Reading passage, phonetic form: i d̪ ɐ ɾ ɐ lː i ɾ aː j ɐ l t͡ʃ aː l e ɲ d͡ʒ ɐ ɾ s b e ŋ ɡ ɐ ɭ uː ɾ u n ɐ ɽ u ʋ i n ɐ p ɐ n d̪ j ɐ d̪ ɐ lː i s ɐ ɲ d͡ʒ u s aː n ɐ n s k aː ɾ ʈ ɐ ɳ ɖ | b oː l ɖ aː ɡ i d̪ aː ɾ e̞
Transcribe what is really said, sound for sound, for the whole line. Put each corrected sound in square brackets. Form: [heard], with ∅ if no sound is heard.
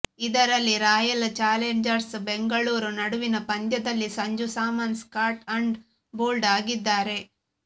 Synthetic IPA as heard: i d̪ ɐ ɾ ɐ lː i ɾ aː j ɐ l t͡ʃ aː l e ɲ d͡ʒ ɐ ɾ s b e ŋ ɡ ɐ ɭ uː ɾ u n ɐ ɽ u ʋ i n ɐ p ɐ n d̪ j ɐ d̪ ɐ lː i s ɐ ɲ d͡ʒ u s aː [m] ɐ n s k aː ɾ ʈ ɐ ɳ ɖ | b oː l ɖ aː ɡ i [d̪ː] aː ɾ e̞